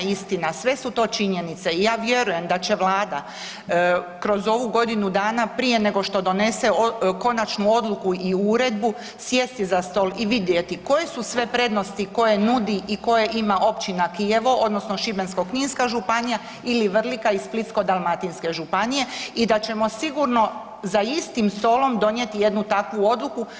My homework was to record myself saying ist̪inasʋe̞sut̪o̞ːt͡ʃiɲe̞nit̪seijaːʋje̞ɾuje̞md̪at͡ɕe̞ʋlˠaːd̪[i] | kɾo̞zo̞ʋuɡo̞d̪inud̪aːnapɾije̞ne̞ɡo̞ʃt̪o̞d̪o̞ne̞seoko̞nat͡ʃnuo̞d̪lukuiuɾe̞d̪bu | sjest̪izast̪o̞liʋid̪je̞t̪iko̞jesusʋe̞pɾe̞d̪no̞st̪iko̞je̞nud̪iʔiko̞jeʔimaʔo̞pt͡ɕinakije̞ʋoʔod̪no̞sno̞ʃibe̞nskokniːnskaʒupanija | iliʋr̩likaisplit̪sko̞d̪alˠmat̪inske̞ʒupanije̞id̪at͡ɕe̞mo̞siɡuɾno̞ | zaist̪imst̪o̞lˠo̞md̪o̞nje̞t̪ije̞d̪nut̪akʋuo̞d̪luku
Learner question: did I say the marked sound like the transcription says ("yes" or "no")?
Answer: no